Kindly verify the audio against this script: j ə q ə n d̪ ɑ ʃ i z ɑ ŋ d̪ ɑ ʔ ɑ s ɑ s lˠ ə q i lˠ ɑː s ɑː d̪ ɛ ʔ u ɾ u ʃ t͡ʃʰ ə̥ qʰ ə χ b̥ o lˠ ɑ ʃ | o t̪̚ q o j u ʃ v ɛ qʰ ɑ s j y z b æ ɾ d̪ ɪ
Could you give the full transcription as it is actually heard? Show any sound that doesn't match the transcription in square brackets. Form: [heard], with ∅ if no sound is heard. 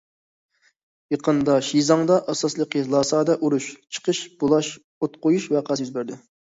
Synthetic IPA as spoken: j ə q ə n d̪ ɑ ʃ i z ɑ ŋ d̪ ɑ ʔ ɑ s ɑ s lˠ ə q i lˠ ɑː s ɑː d̪ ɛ ʔ u ɾ u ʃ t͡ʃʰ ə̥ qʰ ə [ʃ] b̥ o lˠ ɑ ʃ | o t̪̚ q o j u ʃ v ɛ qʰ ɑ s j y z b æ ɾ d̪ ɪ